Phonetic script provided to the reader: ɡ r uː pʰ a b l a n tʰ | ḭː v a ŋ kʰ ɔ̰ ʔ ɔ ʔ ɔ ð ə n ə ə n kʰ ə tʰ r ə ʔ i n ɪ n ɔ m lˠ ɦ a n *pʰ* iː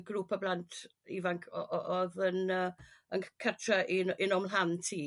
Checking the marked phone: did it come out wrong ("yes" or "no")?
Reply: yes